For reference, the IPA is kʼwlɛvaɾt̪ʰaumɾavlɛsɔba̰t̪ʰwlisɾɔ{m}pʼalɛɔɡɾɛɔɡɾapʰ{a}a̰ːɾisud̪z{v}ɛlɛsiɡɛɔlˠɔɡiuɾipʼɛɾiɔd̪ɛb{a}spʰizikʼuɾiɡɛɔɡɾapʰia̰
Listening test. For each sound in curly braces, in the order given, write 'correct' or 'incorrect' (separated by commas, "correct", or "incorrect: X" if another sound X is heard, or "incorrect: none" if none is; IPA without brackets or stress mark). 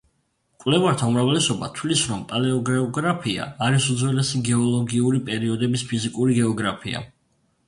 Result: correct, incorrect: i, incorrect: w, incorrect: i